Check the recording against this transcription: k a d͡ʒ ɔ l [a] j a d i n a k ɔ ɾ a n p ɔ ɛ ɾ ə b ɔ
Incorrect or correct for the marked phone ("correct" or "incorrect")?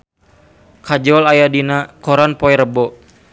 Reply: correct